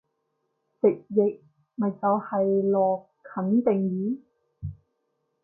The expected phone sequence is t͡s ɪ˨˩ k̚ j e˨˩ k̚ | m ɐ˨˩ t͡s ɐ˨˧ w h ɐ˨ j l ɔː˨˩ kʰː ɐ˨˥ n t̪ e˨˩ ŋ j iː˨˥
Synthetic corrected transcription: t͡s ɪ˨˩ k̚ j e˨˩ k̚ | m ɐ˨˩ t͡s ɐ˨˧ w h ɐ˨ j l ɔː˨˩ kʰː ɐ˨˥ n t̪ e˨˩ ŋ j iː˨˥